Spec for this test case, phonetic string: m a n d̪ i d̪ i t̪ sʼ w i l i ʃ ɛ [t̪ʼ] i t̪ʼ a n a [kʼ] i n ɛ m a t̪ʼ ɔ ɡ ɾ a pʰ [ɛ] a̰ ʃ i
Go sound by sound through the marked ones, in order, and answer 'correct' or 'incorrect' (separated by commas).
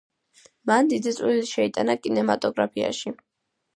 incorrect, correct, incorrect